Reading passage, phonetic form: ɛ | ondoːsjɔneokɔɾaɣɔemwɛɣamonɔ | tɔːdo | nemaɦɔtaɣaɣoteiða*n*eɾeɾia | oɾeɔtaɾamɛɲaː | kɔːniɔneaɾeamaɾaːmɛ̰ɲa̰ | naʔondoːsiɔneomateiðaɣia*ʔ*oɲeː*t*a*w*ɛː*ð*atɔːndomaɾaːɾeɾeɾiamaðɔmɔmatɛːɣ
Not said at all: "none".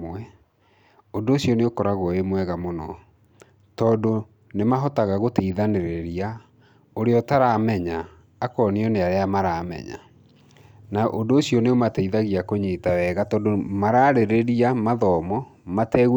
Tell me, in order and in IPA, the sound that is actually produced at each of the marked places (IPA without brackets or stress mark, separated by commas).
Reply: n, k, t, w, ɣ